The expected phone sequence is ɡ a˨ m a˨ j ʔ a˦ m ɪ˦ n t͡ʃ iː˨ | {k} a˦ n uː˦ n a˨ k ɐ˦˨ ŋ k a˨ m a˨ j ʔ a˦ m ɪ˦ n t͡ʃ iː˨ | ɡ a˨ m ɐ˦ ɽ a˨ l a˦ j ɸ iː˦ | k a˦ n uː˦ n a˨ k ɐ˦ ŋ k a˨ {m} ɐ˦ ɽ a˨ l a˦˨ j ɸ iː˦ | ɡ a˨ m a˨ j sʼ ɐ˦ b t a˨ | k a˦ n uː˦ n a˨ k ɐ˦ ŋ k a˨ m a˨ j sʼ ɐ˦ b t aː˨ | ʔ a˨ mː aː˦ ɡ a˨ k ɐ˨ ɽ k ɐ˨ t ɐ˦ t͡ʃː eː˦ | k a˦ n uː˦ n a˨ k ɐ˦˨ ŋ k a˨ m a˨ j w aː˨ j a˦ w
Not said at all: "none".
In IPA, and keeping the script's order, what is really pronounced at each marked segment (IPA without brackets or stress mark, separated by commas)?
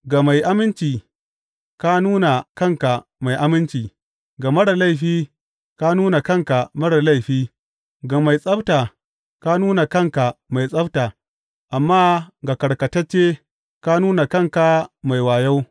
k, m